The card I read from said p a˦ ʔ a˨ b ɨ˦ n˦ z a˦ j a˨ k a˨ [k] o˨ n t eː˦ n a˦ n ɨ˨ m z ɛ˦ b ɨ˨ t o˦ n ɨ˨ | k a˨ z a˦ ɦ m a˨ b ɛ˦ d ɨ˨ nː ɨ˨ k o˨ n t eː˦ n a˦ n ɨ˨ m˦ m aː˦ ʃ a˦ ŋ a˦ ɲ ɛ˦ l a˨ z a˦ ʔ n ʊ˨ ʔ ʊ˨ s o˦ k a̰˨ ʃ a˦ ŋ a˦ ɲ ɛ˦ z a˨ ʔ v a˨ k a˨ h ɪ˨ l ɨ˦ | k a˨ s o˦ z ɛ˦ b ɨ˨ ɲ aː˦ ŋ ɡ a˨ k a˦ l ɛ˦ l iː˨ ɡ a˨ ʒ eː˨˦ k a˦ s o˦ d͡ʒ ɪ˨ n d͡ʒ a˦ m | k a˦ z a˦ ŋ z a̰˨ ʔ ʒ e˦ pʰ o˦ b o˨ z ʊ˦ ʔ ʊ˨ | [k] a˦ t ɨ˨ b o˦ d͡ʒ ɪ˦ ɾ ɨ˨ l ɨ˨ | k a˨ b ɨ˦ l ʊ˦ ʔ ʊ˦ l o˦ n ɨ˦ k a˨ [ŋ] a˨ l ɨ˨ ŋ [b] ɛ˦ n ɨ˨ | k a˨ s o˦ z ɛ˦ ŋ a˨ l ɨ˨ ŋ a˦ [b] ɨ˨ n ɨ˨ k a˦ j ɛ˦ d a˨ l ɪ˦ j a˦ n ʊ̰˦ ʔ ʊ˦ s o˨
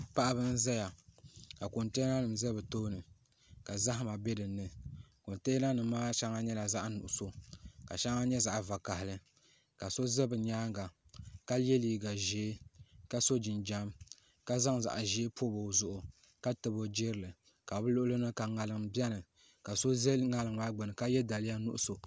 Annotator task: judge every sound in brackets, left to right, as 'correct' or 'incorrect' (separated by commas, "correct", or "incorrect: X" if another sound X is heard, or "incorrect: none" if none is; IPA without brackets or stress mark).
correct, correct, correct, correct, incorrect: ɡ͡b